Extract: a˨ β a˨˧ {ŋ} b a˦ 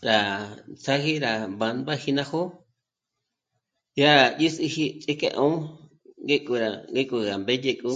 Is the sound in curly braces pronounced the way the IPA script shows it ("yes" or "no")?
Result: no